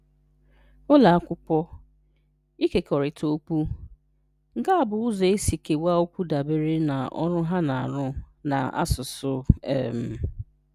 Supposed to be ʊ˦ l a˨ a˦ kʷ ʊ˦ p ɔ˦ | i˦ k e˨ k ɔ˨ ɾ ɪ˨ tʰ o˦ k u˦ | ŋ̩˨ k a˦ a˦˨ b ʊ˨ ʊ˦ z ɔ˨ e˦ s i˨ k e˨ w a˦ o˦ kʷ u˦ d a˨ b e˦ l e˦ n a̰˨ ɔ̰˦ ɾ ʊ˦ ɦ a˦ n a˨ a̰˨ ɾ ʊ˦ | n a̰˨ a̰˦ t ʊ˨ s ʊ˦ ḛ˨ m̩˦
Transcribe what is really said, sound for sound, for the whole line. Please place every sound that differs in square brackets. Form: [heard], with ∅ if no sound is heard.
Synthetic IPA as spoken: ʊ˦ l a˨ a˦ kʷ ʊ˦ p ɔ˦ | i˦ k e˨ k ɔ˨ ɾ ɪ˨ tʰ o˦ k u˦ | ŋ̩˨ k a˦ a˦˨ b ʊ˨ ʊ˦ z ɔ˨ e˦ s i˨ k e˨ w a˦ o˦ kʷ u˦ d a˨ b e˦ [ɾ] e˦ n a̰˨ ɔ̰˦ ɾ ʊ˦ ɦ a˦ n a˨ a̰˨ ɾ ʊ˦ | n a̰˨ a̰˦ [s] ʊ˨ s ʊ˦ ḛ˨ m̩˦